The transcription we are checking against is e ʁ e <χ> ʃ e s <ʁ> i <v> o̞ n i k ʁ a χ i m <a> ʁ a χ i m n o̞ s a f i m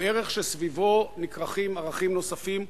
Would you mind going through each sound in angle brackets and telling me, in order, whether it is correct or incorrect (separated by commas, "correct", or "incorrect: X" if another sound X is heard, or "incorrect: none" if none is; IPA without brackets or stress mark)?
correct, incorrect: v, correct, correct